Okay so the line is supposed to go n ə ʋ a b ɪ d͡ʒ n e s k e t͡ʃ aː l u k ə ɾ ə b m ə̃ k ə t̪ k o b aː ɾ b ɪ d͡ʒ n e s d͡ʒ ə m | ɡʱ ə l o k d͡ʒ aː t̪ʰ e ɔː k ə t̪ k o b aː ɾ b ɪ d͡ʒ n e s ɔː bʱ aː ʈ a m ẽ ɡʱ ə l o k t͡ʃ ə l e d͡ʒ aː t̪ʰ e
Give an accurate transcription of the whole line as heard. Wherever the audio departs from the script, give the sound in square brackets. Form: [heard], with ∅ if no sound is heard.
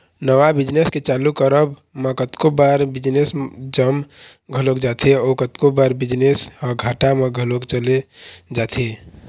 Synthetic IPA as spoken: n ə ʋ a b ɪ d͡ʒ n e s k e t͡ʃ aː l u k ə ɾ ə b m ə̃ k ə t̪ k o b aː ɾ b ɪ d͡ʒ n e s d͡ʒ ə m | ɡʱ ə l o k d͡ʒ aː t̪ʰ e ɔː k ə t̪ k o b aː ɾ b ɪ d͡ʒ n e s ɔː [ɡʱ] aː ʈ a m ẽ ɡʱ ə l o k t͡ʃ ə l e d͡ʒ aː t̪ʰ e

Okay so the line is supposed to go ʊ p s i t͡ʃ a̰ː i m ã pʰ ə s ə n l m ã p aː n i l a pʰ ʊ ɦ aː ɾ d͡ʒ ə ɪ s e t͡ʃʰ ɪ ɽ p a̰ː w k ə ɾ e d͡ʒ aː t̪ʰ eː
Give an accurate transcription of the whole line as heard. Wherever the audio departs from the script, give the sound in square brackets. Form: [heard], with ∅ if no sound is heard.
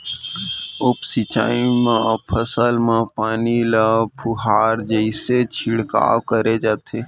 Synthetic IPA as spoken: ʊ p s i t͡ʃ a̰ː i m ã pʰ ə s ə [∅] l m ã p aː n i l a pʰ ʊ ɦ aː ɾ d͡ʒ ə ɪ s e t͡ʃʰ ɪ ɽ [k] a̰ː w k ə ɾ e d͡ʒ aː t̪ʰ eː

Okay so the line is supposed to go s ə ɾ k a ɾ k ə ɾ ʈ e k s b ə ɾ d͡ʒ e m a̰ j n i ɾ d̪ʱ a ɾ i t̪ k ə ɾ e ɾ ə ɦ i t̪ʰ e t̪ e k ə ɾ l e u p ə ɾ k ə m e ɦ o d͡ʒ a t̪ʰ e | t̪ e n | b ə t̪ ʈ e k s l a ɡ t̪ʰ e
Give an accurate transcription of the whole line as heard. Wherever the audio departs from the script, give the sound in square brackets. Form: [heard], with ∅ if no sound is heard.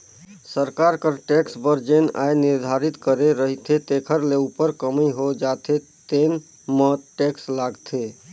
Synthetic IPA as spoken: s ə ɾ k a ɾ k ə ɾ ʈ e k s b ə ɾ d͡ʒ e [n] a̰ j n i ɾ d̪ʱ a ɾ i t̪ k ə ɾ e ɾ ə ɦ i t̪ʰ e t̪ e [kʰ] ə ɾ l e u p ə ɾ k ə m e ɦ o d͡ʒ a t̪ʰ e | t̪ e n | [m] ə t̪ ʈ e k s l a ɡ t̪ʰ e

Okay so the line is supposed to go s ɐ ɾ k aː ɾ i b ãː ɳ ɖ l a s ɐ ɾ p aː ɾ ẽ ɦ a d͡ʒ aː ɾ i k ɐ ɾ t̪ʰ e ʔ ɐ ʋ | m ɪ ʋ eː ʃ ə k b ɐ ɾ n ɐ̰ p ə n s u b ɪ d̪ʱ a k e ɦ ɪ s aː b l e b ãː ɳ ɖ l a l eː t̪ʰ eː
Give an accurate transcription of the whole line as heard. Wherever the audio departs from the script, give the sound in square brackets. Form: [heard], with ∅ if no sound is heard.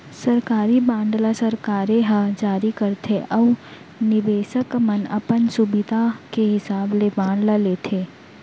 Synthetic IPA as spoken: s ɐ ɾ k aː ɾ i b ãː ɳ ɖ l a s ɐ ɾ [k] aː ɾ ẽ ɦ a d͡ʒ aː ɾ i k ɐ ɾ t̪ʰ e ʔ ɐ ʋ | [n] ɪ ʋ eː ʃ ə k [m] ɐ [∅] n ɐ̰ p ə n s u b ɪ d̪ʱ a k e ɦ ɪ s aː b l e b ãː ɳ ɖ l a l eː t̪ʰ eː

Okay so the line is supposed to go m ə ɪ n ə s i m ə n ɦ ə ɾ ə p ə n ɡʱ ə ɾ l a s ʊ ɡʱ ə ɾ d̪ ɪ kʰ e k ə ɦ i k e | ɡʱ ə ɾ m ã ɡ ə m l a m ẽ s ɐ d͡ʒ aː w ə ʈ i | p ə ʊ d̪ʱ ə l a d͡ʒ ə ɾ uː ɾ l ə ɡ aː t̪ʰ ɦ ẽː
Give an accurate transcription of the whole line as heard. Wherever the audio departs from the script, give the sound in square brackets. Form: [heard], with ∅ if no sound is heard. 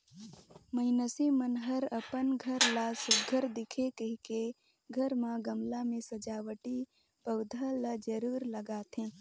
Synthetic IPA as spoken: m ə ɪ n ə s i m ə n ɦ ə ɾ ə p ə n ɡʱ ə ɾ l a s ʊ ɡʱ ə ɾ d̪ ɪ kʰ e k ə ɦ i k e | ɡʱ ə ɾ m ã ɡ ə m l a m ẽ s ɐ d͡ʒ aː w ə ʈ i | p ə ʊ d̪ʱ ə l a d͡ʒ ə ɾ uː ɾ l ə ɡ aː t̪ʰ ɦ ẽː

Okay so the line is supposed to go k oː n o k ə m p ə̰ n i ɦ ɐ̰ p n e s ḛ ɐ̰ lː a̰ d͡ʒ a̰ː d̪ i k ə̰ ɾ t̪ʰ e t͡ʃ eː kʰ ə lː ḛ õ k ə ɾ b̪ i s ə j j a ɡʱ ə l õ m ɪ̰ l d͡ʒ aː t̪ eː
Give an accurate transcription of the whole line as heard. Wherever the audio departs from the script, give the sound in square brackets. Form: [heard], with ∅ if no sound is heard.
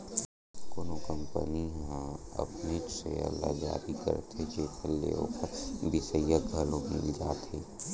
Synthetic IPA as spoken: k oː n o k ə m p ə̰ n i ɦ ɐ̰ p n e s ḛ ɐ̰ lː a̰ d͡ʒ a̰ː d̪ i k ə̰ ɾ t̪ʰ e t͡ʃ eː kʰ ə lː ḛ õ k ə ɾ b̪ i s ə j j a ɡʱ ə l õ m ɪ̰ l d͡ʒ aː t̪ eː

